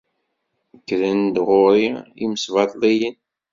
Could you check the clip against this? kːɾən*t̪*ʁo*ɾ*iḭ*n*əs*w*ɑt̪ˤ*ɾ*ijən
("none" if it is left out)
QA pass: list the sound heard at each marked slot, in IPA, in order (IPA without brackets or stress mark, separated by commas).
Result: d̪, ɾ, m, v, l